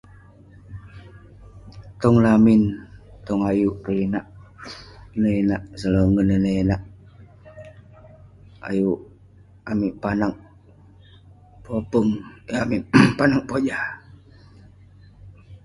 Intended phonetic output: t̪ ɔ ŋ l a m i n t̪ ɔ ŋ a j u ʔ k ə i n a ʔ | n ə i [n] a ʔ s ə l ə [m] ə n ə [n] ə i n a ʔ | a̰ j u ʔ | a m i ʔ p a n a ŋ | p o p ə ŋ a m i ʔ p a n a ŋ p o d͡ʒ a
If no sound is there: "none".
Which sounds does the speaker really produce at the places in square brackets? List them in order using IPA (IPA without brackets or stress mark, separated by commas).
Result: n, ŋ, n